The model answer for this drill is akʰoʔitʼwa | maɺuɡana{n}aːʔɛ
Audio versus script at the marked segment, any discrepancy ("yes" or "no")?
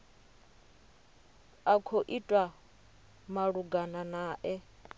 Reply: no